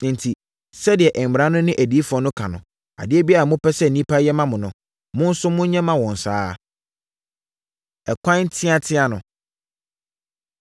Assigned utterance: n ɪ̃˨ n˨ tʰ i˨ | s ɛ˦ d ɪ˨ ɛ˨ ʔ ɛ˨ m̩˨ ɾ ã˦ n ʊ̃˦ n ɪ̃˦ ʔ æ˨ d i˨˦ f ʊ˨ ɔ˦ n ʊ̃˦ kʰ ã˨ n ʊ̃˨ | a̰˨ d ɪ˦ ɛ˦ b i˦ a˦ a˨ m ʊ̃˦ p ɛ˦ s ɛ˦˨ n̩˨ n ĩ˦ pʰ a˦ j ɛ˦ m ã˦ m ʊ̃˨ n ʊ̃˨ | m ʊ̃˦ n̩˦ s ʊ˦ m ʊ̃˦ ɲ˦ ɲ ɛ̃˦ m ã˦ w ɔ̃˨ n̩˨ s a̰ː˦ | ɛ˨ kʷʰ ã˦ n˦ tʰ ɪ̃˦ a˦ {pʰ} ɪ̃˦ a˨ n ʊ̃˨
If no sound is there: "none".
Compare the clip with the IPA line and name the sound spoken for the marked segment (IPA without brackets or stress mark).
tʰ